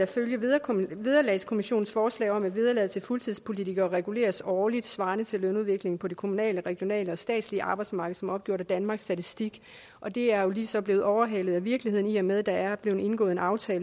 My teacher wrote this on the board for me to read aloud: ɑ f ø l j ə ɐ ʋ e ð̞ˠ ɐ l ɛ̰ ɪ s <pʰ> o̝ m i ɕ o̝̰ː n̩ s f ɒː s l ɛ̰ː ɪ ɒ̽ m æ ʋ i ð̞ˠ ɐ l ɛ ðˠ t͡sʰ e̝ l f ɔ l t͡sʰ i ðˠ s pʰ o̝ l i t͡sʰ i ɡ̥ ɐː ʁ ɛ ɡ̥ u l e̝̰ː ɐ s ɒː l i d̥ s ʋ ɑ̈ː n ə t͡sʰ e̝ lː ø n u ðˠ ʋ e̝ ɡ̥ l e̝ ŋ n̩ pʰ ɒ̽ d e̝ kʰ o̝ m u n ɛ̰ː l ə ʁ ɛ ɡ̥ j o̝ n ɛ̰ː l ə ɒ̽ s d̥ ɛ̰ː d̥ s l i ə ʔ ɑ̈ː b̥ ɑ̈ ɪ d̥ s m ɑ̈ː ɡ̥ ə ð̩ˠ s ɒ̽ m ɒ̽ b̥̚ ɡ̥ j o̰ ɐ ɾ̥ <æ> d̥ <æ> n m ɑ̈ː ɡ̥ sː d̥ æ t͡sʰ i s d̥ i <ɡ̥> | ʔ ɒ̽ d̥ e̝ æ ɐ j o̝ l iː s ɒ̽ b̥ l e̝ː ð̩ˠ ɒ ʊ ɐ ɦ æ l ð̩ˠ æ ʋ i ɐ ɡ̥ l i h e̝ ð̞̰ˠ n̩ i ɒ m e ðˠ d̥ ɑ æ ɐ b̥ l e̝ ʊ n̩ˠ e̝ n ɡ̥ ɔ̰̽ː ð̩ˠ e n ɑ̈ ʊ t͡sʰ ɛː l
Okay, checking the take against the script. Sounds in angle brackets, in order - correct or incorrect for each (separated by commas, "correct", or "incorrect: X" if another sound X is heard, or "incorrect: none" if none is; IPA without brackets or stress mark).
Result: incorrect: kʰ, correct, correct, correct